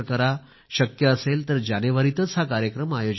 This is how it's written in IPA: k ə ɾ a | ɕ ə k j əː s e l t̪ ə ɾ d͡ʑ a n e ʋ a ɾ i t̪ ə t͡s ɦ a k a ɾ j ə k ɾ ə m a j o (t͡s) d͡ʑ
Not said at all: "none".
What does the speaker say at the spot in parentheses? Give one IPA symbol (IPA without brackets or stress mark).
none